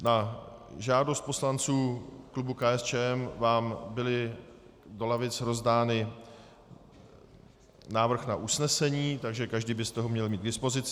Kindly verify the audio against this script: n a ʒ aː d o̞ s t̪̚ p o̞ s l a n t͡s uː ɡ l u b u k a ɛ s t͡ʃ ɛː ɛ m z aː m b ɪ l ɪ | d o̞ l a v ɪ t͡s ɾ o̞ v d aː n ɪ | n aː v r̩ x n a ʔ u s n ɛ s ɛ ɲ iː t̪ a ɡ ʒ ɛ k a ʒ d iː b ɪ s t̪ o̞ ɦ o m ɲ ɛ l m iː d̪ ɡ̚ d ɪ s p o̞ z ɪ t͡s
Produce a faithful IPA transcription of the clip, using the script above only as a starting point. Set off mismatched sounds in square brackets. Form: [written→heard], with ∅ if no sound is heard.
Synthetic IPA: n a ʒ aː d o̞ s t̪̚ p o̞ s l a n t͡s uː [ɡ→k] l u b u k a ɛ s t͡ʃ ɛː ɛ m [z→v] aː m b ɪ l ɪ | d o̞ l a v ɪ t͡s ɾ o̞ [v→z] d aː n ɪ | n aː v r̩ x n a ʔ u s n ɛ s ɛ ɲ iː t̪ a ɡ ʒ ɛ k a ʒ d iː b ɪ s t̪ o̞ ɦ o m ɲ ɛ l m iː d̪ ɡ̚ d ɪ s p o̞ z ɪ t͡s